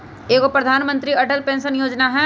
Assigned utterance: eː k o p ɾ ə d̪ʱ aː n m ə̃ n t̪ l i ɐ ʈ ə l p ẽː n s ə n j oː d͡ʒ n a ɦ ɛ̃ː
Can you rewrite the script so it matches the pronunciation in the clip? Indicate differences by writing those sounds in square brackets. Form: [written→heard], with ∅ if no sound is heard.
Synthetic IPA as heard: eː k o p ɾ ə d̪ʱ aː n m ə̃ n t̪ [l→ɾ] i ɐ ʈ ə l p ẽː n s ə n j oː d͡ʒ n a ɦ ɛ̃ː